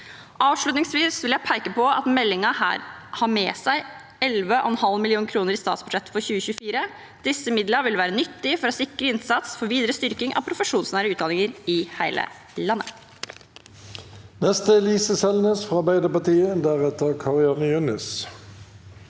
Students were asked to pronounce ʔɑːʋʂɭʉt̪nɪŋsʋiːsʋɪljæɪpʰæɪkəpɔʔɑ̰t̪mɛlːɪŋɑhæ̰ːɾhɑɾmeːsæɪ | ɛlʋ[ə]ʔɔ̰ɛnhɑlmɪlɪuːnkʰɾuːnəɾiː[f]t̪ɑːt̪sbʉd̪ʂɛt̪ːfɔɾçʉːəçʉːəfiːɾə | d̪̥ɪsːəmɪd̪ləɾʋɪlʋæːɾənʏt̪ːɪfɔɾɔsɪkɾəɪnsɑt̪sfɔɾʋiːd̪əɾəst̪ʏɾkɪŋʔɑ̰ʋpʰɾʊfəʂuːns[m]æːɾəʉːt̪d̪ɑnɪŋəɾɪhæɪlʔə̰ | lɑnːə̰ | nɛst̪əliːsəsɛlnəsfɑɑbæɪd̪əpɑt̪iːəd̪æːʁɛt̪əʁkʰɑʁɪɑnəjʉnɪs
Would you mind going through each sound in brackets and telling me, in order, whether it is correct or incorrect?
correct, incorrect, incorrect

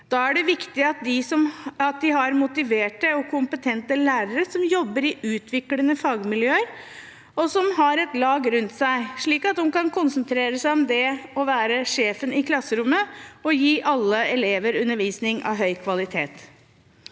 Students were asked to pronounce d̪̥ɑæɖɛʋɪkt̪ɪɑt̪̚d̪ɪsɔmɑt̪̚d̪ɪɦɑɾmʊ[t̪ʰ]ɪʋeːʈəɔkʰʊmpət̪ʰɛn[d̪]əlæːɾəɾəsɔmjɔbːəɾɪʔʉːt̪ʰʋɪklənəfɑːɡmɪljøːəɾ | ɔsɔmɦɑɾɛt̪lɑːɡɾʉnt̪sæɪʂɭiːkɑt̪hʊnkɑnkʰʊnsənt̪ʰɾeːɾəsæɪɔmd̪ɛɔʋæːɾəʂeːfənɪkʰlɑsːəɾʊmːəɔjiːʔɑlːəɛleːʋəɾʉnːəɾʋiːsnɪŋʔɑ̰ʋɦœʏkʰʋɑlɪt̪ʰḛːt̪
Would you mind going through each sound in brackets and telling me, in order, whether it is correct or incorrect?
incorrect, incorrect

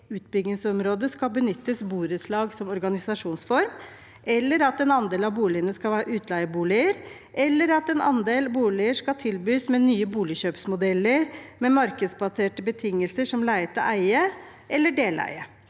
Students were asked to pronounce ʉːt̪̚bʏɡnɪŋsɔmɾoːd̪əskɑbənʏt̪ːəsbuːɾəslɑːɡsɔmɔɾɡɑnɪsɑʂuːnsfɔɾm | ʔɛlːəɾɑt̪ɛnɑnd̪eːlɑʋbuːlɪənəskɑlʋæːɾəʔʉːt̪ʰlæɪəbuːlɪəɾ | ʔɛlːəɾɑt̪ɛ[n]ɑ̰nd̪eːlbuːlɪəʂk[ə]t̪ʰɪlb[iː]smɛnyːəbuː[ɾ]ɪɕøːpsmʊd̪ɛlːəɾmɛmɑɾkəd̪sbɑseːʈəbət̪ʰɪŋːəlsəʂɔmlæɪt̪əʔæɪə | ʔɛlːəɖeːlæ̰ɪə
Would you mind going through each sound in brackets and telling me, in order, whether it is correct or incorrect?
correct, incorrect, incorrect, incorrect

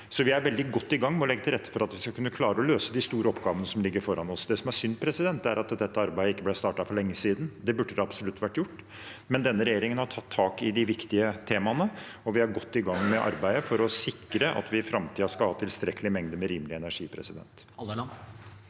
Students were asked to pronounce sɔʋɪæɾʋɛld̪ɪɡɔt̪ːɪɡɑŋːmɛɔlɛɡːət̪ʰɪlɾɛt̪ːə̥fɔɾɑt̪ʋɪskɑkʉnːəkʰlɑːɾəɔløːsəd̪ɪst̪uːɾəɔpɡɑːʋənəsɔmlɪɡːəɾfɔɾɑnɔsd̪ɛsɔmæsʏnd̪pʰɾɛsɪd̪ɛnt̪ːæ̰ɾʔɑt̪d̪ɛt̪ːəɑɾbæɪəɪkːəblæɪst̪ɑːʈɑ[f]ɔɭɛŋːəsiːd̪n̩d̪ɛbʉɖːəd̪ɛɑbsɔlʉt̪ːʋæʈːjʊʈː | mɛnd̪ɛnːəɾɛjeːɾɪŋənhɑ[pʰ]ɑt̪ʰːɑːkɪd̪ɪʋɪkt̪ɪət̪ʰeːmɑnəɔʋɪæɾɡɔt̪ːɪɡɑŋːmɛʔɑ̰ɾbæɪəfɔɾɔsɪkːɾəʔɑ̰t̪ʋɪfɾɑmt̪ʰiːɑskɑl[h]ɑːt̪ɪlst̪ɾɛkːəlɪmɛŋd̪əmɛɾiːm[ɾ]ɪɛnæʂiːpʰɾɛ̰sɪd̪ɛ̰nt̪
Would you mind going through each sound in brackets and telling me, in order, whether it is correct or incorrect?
correct, incorrect, correct, incorrect

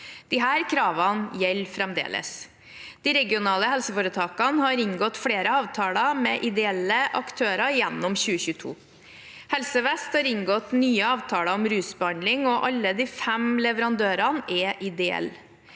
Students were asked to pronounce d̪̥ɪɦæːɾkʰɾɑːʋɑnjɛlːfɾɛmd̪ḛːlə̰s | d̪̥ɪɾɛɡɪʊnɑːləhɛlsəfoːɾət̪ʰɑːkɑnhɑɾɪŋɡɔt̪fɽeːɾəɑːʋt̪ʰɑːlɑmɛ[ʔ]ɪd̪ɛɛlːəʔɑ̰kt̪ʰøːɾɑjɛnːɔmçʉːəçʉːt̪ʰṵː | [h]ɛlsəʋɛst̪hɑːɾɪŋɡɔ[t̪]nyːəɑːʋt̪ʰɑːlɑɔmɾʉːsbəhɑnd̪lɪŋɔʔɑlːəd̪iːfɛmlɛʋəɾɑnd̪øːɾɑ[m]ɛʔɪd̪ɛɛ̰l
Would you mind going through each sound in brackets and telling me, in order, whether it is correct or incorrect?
correct, correct, correct, incorrect

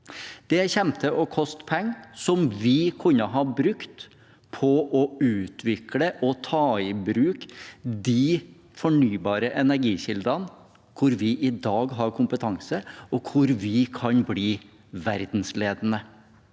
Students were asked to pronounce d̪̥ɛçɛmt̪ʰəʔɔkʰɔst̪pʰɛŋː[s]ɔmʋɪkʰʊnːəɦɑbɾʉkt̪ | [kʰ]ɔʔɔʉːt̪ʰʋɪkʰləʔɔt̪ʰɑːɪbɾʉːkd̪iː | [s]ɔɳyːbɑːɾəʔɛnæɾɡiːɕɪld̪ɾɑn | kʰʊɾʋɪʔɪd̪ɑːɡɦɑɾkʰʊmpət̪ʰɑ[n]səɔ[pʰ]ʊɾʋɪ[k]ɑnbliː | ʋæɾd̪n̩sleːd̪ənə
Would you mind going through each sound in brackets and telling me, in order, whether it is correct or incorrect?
correct, incorrect, incorrect, incorrect, incorrect, incorrect

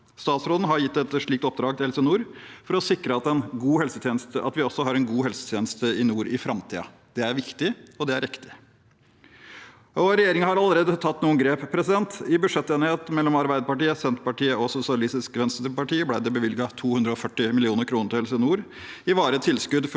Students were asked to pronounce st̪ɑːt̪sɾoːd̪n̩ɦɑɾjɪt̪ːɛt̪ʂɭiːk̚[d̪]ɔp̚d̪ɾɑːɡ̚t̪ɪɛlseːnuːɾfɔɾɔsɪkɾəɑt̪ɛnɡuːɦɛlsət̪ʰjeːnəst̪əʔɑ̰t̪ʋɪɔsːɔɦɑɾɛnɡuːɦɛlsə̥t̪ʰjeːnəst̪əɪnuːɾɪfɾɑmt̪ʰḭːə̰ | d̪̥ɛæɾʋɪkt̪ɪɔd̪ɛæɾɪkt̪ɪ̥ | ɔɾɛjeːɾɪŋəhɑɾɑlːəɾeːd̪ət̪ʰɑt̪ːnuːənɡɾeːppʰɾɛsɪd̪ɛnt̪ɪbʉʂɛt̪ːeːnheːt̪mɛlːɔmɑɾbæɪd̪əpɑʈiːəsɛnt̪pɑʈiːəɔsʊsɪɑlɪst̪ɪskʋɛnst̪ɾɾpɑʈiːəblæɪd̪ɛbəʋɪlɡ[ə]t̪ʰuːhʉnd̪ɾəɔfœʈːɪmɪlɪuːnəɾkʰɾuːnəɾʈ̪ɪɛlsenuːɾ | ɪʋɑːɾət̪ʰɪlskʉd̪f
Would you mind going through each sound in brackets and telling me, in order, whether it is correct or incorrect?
incorrect, incorrect

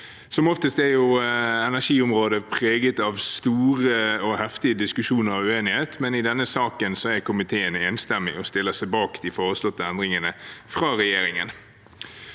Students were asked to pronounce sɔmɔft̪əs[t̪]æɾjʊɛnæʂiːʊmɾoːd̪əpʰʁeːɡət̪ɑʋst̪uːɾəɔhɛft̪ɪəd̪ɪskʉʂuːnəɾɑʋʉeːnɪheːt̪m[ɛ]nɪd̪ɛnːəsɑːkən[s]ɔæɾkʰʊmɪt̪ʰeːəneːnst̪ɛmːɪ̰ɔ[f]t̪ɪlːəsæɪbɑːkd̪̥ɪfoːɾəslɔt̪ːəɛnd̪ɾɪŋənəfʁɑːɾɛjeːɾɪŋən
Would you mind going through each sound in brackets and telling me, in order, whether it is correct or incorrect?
correct, correct, correct, incorrect

